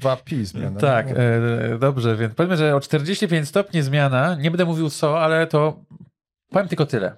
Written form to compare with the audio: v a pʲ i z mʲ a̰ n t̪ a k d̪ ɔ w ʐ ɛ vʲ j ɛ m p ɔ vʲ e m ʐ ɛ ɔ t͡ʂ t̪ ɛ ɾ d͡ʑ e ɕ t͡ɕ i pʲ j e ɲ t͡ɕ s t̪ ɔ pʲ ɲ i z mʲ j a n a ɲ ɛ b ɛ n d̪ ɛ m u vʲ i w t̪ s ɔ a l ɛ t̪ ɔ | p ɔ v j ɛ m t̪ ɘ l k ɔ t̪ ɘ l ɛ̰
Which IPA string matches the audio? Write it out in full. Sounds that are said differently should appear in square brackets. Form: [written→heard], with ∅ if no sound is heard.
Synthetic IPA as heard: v a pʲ i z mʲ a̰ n t̪ a k d̪ ɔ [w→b] ʐ ɛ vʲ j ɛ [m→n] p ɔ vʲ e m ʐ ɛ ɔ t͡ʂ t̪ ɛ ɾ d͡ʑ e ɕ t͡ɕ i pʲ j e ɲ t͡ɕ s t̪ ɔ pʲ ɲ i z mʲ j a n a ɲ ɛ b ɛ n d̪ ɛ m u vʲ i w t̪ s ɔ a l ɛ t̪ ɔ | p ɔ v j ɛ m t̪ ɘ l k ɔ t̪ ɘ l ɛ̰